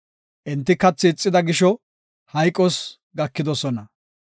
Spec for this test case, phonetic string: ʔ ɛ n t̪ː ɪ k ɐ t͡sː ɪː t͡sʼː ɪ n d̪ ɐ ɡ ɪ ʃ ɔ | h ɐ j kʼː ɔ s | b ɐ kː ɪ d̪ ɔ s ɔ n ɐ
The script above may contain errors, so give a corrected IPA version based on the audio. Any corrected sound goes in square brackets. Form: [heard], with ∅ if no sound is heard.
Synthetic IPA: ʔ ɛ n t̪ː ɪ k ɐ t͡sː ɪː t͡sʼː ɪ [∅] d̪ ɐ ɡ ɪ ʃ ɔ | h ɐ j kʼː ɔ s | [ɡ] ɐ kː ɪ d̪ ɔ s ɔ n ɐ

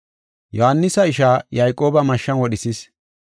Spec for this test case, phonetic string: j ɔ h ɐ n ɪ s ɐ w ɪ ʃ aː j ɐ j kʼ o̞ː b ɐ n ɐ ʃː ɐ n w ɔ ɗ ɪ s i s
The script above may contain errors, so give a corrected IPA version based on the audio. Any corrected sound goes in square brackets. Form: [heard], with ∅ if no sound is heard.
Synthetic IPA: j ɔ h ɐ [nː] ɪ s ɐ [∅] ɪ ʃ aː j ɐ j kʼ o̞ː b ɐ [m] ɐ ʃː ɐ n w ɔ ɗ ɪ s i s

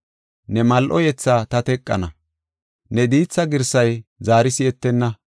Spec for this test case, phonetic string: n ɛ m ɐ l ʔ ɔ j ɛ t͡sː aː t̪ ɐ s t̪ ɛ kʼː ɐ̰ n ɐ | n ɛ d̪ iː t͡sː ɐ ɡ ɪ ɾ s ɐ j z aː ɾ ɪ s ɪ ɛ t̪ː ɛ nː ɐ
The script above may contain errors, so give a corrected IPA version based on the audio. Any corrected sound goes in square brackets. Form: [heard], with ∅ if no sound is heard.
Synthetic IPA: n ɛ m ɐ l ʔ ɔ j ɛ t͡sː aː t̪ ɐ [∅] t̪ ɛ kʼː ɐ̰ n ɐ | n ɛ d̪ iː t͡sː ɐ ɡ ɪ ɾ s ɐ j z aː ɾ ɪ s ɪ ɛ t̪ː ɛ nː ɐ

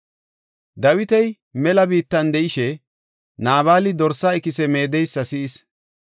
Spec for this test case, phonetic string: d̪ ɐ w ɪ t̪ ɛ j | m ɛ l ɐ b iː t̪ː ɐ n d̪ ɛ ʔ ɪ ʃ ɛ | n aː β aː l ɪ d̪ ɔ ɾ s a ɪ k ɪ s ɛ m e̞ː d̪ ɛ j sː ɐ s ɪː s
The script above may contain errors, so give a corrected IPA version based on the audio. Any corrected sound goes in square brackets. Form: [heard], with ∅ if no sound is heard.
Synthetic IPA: d̪ ɐ w ɪ t̪ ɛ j | m ɛ l ɐ b iː t̪ː ɐ n d̪ ɛ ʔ ɪ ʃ ɛ | n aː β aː l ɪ d̪ ɔ ɾ s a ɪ k ɪ s ɛ m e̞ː d̪ ɛ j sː ɐ s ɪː s

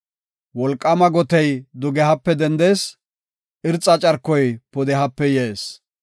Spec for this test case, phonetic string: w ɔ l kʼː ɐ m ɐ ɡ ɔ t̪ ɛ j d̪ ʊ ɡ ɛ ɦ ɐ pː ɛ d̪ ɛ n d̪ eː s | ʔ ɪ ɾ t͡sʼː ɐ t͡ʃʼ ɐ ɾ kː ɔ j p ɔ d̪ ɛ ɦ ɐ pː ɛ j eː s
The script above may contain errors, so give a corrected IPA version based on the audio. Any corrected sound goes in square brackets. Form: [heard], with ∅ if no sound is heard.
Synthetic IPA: w ɔ l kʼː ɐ m ɐ ɡ ɔ t̪ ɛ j d̪ ʊ ɡ ɛ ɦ ɐ pː ɛ d̪ ɛ n d̪ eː s | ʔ ɪ ɾ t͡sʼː ɐ t͡ʃʼ ɐ ɾ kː ɔ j p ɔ d̪ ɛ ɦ ɐ pː ɛ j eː s

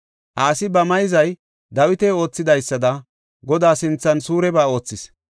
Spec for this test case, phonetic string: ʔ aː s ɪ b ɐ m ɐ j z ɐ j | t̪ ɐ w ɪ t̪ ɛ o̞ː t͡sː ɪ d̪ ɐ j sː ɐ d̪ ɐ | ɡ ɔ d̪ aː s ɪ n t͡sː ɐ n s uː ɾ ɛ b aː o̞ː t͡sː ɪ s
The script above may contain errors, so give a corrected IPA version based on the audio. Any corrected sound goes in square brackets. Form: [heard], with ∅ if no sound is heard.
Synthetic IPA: ʔ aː s ɪ b ɐ m ɐ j z ɐ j | [d̪] ɐ w ɪ t̪ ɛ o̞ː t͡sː ɪ d̪ ɐ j sː ɐ d̪ ɐ | ɡ ɔ d̪ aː s ɪ n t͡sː ɐ n s uː ɾ ɛ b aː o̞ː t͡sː ɪ s

